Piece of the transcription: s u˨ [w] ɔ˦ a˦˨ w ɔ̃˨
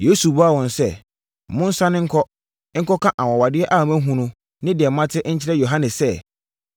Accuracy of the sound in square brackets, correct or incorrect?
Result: incorrect: b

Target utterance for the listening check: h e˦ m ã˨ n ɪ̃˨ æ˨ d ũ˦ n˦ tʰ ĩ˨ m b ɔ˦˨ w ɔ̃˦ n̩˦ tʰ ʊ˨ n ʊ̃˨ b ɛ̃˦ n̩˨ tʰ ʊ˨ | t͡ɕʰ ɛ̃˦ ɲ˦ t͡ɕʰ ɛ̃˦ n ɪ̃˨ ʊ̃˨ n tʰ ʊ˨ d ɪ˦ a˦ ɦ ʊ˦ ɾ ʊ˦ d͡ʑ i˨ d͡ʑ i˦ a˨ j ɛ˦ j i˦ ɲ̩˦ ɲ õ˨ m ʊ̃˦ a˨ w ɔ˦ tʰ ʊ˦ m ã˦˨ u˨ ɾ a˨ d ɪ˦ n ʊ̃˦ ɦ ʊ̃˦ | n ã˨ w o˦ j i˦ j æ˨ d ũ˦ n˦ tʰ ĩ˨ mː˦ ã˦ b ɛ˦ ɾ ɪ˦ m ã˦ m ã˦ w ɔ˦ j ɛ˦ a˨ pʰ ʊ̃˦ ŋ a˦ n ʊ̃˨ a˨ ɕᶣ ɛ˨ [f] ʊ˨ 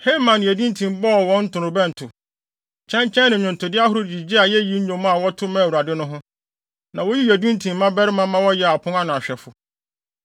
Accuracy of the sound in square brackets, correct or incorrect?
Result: correct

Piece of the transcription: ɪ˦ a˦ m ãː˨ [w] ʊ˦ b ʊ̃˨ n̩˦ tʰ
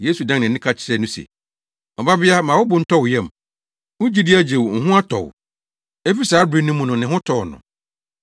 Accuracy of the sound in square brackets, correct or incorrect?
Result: correct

